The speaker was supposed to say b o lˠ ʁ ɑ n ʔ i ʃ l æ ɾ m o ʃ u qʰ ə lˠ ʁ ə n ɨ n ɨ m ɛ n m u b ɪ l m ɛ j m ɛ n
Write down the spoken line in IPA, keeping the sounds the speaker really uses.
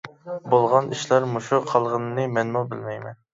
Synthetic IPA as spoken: b o lˠ ʁ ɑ n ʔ i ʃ l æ ɾ m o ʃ u qʰ ɑ lˠ ʁ ə n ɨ n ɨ m ɛ n m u b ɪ l m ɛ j m ɛ n